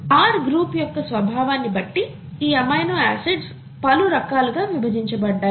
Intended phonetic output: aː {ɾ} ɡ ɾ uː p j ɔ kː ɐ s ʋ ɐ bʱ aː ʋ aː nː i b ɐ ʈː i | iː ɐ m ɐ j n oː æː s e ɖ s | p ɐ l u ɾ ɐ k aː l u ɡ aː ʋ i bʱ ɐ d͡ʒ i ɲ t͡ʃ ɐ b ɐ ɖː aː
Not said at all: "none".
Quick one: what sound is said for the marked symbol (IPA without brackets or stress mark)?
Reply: ɾ